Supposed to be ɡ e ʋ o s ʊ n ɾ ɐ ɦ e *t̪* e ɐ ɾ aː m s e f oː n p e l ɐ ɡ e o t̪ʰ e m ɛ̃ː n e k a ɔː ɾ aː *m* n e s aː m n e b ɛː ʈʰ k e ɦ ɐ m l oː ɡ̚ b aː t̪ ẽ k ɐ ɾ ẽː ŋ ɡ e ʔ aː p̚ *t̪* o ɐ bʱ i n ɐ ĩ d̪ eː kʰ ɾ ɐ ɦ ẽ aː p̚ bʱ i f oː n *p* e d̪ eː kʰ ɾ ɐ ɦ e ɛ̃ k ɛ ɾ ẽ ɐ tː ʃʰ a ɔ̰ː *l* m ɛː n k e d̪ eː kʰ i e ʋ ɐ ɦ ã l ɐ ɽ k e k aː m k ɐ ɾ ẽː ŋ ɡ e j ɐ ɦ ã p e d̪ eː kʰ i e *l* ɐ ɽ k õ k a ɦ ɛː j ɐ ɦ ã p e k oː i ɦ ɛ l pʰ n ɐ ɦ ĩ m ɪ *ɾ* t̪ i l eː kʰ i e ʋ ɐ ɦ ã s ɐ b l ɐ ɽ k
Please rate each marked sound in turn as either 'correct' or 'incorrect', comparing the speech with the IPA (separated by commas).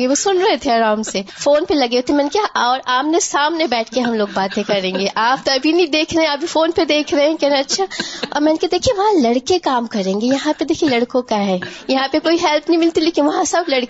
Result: incorrect, correct, correct, correct, incorrect, correct, incorrect